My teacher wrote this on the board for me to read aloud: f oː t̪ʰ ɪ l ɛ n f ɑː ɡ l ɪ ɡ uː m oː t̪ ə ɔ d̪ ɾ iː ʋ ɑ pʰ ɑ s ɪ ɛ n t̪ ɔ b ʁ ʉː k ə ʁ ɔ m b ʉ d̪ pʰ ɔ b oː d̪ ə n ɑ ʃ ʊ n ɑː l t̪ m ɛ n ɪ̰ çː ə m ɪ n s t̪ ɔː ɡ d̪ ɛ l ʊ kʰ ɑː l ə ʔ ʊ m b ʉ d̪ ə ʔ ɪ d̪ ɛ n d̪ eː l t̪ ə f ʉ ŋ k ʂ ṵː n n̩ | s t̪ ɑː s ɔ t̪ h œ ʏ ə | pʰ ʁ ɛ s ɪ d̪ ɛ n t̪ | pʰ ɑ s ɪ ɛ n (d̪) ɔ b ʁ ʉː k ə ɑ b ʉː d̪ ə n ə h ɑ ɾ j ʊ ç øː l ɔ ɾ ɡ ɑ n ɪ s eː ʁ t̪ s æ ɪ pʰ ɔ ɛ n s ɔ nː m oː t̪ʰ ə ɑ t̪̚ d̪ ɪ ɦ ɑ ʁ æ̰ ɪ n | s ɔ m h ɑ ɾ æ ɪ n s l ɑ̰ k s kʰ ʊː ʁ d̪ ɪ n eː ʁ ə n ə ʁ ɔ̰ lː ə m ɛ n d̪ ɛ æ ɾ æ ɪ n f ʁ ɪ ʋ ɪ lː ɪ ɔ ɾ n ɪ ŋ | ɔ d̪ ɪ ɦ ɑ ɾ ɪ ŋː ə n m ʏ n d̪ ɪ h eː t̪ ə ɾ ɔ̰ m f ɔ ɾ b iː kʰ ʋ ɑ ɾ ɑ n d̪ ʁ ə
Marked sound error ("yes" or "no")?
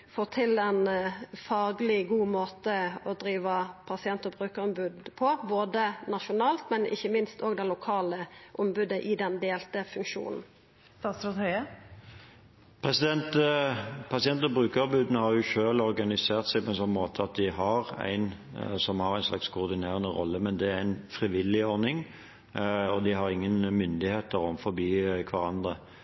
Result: yes